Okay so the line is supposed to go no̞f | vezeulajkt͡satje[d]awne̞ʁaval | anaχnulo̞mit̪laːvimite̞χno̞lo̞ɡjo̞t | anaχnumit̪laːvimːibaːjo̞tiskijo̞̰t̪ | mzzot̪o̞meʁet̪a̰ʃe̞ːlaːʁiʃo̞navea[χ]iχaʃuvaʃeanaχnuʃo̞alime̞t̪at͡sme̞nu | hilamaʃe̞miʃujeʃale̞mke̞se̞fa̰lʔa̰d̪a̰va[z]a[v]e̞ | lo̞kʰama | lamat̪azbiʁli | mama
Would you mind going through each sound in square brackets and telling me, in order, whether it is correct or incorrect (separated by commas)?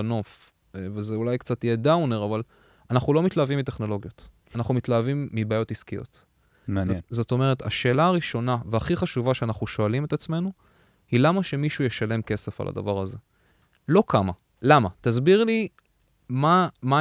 correct, correct, incorrect, incorrect